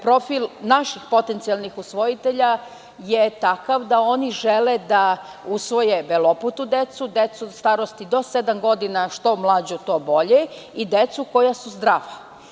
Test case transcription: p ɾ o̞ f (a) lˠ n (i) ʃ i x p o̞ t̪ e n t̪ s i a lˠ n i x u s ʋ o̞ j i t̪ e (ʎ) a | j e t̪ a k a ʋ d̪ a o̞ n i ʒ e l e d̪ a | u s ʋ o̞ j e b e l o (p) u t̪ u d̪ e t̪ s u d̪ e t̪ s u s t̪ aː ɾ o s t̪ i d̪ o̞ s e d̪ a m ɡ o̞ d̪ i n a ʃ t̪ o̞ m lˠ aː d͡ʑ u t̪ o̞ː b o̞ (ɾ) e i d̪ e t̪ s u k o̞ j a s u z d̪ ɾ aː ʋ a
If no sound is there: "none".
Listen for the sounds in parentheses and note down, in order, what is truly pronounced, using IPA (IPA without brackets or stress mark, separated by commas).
i, a, ʎ, p, ʎ